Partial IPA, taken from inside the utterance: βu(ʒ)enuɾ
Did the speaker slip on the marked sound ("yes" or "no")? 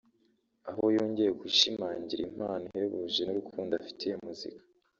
no